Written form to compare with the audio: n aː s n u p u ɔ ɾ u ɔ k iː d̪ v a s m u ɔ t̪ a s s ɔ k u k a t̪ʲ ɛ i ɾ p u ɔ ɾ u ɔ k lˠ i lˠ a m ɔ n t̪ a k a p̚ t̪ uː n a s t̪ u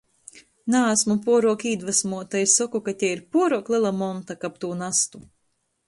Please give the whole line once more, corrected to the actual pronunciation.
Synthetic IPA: n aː s m u p u ɔ ɾ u ɔ k iː d̪ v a s m u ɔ t̪ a s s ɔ k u k a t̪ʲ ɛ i ɾ p u ɔ ɾ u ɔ k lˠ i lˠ a m ɔ n t̪ a k a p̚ t̪ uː n a s t̪ u